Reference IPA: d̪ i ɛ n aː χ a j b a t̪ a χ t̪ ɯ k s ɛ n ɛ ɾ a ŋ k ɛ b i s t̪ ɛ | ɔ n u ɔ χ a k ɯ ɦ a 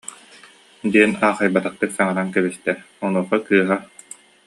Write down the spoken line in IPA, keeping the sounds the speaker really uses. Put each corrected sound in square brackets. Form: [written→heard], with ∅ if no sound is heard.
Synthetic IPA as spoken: d̪ i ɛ n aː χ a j b a t̪ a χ t̪ ɯ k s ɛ [n→ŋ] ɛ ɾ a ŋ k ɛ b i s t̪ ɛ | ɔ n u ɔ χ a k [ɯ→ɯː] ɦ a

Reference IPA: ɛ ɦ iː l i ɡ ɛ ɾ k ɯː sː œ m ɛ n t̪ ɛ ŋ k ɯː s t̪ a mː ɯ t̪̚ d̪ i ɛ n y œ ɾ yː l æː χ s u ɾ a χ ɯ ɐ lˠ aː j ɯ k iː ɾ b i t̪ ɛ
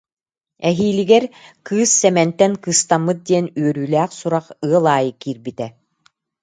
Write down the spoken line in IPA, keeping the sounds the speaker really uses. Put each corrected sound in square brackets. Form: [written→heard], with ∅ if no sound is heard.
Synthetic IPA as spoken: ɛ ɦ iː l i ɡ ɛ ɾ k ɯː sː [œ→ɛ] m ɛ n t̪ ɛ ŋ k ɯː s t̪ a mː ɯ t̪̚ d̪ i ɛ n y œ ɾ yː l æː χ s u ɾ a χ ɯ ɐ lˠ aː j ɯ k iː ɾ b i t̪ ɛ

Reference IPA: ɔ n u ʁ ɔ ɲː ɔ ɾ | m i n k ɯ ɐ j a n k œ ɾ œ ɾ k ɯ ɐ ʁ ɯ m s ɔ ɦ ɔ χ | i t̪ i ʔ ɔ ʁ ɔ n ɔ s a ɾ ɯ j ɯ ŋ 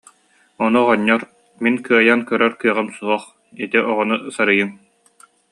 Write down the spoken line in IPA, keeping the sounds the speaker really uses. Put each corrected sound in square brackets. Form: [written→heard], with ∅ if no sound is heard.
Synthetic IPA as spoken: ɔ n u ʁ ɔ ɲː ɔ ɾ | m i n k ɯ ɐ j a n k œ ɾ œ ɾ k ɯ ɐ ʁ ɯ m s [ɔ→u] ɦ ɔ χ | i t̪ i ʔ ɔ ʁ ɔ n [ɔ→u] s a ɾ ɯ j ɯ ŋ

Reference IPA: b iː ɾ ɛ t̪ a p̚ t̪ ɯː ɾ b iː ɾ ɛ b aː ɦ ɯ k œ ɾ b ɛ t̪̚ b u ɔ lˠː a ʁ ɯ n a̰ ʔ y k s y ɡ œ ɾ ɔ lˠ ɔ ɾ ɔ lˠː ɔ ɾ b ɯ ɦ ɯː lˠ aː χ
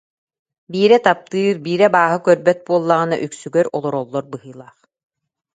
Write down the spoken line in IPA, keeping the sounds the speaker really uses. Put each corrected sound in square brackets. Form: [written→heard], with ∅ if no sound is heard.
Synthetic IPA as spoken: b iː ɾ ɛ t̪ a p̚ t̪ ɯː ɾ b iː ɾ ɛ b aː ɦ ɯ k œ ɾ b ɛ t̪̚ b u ɔ lˠː a ʁ ɯ n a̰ ʔ y k s y ɡ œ ɾ ɔ lˠ ɔ ɾ ɔ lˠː ɔ ɾ b ɯ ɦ ɯː lˠ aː χ

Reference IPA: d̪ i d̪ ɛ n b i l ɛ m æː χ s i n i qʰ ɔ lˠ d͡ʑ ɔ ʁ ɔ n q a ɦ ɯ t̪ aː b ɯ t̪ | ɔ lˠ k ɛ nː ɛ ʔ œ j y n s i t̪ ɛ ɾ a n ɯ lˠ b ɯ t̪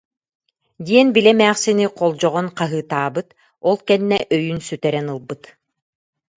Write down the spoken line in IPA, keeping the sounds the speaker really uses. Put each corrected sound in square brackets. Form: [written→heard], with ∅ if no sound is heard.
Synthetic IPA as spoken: d̪ i [d̪→∅] ɛ n b i l ɛ m æː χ s i n i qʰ ɔ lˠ d͡ʑ ɔ ʁ ɔ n q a ɦ [ɯ→ɯː] t̪ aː b ɯ t̪ | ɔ lˠ k ɛ nː ɛ ʔ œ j y n s [i→y] t̪ ɛ ɾ [a→ɛ] n ɯ lˠ b ɯ t̪

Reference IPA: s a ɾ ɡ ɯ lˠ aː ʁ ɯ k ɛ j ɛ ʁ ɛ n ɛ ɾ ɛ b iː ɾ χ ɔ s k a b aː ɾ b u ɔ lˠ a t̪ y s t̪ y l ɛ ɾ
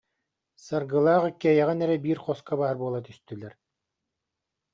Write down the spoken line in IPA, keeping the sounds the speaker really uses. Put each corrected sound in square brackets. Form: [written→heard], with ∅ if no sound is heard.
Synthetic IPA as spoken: s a ɾ ɡ ɯ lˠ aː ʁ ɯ k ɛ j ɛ ʁ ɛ n ɛ ɾ ɛ b iː ɾ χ ɔ s k a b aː ɾ b u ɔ lˠ a t̪ y s t̪ y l ɛ ɾ

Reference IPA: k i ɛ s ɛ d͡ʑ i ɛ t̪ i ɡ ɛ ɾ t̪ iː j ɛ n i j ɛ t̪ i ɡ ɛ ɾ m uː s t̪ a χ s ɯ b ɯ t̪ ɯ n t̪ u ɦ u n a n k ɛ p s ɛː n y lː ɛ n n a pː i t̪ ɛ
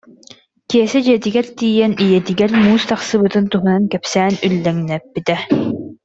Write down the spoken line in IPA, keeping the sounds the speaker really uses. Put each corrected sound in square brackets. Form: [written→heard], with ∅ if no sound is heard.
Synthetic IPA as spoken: k i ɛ s ɛ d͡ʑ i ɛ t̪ i ɡ ɛ ɾ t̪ iː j ɛ n i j ɛ t̪ i ɡ ɛ ɾ m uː s t̪ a χ s ɯ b ɯ t̪ ɯ n t̪ u ɦ u n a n k ɛ p s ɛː n y lː ɛ [n→ŋ] n [a→ɛ] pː i t̪ ɛ

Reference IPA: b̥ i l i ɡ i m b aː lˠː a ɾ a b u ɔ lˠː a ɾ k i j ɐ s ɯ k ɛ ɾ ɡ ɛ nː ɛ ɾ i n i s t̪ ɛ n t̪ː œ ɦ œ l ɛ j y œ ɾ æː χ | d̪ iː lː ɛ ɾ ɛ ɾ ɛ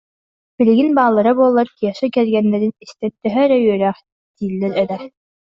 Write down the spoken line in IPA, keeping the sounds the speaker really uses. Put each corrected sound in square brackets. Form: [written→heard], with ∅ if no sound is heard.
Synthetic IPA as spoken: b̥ i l i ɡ i [m→n] b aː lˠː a ɾ a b u ɔ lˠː a ɾ k i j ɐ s ɯ k ɛ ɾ ɡ ɛ nː ɛ ɾ i n i s t̪ ɛ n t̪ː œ ɦ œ [l→ɾ] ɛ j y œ ɾ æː χ | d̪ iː lː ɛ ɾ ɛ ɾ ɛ

